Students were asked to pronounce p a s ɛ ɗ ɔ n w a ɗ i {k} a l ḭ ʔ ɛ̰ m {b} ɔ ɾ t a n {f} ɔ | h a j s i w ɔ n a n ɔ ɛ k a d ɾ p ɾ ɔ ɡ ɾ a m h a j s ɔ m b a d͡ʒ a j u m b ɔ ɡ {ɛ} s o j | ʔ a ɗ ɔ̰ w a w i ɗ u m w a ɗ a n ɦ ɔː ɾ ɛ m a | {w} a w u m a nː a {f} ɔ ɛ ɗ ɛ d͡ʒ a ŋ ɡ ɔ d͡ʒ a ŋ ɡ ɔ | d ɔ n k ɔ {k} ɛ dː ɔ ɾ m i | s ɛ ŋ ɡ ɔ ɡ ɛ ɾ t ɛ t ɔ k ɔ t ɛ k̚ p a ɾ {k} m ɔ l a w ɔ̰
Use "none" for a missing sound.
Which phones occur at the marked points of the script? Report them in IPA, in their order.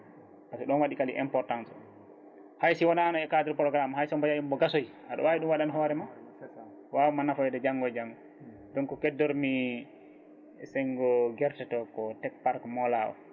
k, p, s, a, w, f, k, k

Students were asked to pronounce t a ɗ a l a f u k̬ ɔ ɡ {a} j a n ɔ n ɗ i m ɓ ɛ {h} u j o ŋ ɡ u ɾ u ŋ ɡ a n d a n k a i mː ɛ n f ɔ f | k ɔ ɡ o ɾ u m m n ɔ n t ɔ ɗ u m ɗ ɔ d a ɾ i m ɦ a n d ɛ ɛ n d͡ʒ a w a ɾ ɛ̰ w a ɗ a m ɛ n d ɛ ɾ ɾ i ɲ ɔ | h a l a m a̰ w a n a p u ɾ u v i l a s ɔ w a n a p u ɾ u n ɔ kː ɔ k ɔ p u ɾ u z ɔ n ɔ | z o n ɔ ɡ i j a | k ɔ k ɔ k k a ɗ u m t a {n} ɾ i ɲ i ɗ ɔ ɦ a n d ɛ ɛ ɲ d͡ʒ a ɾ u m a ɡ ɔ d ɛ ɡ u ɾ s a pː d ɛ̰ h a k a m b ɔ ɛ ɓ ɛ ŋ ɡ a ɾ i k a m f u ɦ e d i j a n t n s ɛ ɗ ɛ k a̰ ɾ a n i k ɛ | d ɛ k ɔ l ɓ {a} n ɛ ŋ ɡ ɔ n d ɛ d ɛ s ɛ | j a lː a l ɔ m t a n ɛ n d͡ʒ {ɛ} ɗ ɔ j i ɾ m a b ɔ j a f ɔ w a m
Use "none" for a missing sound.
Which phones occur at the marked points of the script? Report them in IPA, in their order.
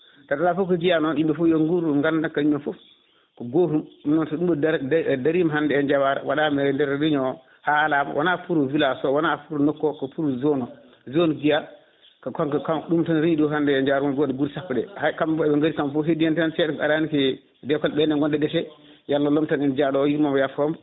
i, f, n, ɛ, a

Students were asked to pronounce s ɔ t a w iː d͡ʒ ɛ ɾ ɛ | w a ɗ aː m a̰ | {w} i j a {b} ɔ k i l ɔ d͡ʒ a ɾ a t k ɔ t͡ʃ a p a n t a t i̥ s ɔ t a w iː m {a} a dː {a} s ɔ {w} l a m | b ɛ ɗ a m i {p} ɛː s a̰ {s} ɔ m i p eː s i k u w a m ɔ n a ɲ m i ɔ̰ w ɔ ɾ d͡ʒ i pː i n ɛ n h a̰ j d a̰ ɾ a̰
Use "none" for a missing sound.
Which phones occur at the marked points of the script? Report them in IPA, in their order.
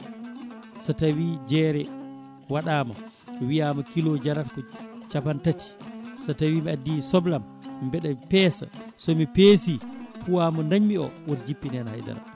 w, m, i, i, b, p, s

